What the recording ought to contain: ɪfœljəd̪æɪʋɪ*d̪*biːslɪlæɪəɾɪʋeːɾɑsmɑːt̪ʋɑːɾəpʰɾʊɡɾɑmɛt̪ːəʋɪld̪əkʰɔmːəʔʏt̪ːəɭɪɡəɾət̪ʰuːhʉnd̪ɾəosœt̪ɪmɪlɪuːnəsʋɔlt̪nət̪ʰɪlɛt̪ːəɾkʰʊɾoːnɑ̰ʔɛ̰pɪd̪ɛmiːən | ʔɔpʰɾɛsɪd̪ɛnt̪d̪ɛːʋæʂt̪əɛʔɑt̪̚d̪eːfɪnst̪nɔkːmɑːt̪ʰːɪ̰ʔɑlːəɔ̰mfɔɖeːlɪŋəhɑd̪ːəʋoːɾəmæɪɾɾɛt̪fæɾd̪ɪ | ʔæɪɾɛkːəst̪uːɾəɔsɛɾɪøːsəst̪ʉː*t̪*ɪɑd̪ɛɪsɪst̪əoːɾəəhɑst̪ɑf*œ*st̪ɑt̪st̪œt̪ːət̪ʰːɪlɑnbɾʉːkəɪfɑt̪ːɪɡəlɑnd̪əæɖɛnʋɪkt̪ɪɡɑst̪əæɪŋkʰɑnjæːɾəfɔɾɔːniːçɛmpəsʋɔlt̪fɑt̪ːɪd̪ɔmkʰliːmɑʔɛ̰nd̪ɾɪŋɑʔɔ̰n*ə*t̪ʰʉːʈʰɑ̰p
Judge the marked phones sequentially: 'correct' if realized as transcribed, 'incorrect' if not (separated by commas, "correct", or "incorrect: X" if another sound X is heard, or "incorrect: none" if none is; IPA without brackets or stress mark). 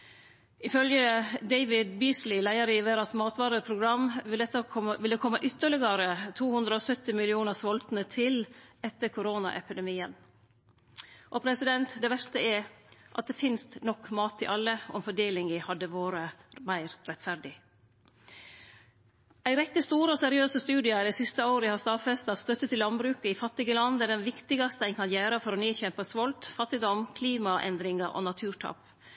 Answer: correct, incorrect: d̪, incorrect: ɛ, incorrect: ɑ